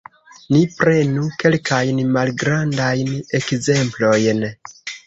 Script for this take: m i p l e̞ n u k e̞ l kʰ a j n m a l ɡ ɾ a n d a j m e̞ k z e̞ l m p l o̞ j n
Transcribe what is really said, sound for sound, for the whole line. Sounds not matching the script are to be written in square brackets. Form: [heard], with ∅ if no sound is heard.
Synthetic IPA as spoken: [n] i p [ɾ] e̞ n u k e̞ l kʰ a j n m a l ɡ ɾ a n d a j [n] e̞ k z e̞ [∅] m p l o̞ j n